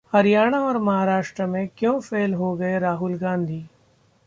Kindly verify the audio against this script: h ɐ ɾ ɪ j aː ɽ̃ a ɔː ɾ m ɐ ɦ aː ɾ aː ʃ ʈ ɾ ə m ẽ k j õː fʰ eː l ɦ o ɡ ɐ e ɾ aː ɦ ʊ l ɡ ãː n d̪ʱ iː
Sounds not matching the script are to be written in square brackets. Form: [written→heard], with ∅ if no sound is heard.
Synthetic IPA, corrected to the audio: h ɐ ɾ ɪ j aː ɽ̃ a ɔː ɾ m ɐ ɦ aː ɾ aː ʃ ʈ ɾ ə m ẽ k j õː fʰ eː l ɦ o ɡ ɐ e ɾ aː ɦ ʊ l ɡ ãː n d̪ʱ iː